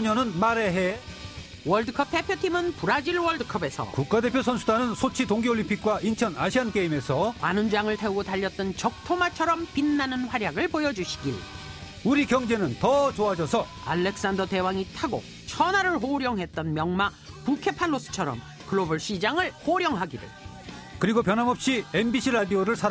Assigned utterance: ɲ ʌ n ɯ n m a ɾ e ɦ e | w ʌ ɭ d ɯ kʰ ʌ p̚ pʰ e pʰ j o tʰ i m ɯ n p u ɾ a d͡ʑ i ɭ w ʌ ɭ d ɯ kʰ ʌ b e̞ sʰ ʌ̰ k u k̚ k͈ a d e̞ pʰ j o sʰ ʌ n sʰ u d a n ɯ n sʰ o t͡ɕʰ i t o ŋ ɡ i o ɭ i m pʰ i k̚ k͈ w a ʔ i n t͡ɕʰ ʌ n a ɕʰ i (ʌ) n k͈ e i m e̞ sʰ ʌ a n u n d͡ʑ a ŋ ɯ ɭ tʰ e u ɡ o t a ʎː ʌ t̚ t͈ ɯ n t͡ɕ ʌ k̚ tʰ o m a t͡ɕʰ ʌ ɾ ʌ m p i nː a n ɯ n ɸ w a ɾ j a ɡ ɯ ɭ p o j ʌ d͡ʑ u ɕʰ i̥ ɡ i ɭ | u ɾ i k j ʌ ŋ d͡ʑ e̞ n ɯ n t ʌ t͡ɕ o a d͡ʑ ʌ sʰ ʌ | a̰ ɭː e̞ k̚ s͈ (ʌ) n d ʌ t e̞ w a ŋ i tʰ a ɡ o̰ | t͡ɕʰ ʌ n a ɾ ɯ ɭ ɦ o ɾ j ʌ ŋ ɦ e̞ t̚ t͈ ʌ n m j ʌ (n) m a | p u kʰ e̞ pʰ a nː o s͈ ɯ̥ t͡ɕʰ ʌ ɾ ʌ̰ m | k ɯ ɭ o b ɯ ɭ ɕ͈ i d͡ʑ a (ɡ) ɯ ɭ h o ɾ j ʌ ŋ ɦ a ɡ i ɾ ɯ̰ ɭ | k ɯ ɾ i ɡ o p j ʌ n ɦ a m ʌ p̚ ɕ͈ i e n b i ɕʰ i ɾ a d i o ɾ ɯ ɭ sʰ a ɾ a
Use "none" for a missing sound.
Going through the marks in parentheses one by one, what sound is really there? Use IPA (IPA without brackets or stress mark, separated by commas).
a, a, ŋ, ŋ